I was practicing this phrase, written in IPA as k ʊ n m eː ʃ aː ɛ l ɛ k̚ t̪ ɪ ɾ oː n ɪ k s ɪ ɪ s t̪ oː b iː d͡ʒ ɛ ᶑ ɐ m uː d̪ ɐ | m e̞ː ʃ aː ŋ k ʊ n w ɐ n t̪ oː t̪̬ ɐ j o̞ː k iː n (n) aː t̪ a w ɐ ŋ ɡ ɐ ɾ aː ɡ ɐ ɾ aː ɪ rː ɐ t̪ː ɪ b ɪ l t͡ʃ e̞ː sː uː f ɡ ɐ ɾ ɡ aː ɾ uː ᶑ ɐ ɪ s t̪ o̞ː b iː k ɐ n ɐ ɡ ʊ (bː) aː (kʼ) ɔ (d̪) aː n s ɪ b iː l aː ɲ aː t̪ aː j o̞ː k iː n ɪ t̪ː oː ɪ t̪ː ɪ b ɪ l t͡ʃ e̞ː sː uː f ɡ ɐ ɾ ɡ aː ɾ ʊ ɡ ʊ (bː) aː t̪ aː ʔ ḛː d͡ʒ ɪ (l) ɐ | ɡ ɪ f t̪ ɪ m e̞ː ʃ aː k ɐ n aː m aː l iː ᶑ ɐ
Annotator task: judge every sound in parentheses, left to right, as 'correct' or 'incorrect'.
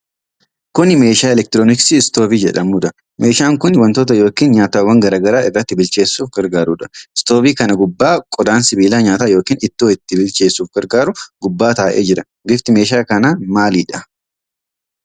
incorrect, correct, correct, correct, correct, incorrect

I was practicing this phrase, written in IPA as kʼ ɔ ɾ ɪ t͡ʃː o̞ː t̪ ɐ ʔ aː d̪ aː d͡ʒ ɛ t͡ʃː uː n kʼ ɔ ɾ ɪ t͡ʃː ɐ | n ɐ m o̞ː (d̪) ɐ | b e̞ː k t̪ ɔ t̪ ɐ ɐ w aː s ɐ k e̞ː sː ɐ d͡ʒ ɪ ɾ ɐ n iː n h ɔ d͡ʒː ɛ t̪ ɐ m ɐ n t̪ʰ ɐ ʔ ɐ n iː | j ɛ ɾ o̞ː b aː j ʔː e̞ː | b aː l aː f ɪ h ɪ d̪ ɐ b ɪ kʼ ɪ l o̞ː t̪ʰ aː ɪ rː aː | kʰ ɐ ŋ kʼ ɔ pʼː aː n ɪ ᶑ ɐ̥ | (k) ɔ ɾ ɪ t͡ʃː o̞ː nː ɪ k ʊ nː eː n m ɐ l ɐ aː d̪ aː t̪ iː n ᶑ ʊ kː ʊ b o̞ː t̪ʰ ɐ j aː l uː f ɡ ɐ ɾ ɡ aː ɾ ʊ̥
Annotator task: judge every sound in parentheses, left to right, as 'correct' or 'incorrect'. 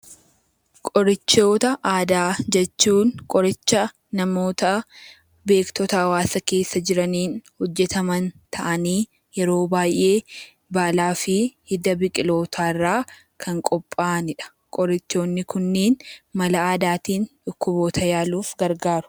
incorrect, incorrect

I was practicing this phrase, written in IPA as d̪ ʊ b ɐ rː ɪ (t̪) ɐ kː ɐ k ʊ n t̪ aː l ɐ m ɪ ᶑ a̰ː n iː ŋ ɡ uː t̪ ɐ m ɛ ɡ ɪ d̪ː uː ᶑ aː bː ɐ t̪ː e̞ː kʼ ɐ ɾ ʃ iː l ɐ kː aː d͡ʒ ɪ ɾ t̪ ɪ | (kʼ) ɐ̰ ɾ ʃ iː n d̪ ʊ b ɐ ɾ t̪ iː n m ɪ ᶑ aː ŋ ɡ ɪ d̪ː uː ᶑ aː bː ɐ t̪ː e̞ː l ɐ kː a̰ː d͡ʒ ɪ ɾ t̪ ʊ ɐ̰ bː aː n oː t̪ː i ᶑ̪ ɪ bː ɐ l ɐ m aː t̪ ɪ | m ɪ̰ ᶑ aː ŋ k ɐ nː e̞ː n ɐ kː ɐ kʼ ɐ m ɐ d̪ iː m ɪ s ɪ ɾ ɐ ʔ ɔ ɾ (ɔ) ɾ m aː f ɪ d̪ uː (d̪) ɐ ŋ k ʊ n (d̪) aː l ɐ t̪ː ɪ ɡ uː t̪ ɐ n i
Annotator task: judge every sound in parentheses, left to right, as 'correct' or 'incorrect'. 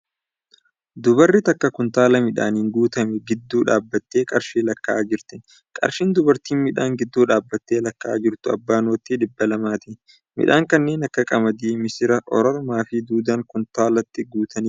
correct, correct, correct, correct, incorrect

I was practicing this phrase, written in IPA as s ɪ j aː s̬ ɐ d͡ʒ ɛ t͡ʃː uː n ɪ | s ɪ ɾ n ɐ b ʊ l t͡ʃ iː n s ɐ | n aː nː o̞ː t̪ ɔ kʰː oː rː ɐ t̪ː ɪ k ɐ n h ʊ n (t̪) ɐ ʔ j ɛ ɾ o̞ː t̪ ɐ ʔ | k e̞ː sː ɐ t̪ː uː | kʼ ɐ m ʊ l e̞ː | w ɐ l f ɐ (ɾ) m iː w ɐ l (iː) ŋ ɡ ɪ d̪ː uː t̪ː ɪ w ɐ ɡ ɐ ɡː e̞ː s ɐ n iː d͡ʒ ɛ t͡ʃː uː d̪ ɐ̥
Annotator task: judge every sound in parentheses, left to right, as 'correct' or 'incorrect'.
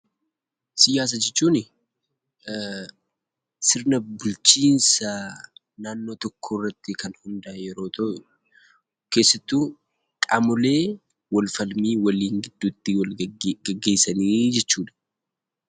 incorrect, incorrect, correct

